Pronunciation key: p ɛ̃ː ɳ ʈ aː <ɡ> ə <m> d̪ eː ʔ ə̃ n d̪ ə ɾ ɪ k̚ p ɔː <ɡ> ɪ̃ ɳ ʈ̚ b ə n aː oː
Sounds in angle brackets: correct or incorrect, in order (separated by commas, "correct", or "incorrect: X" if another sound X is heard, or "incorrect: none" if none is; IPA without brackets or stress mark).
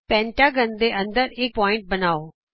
correct, incorrect: n, incorrect: none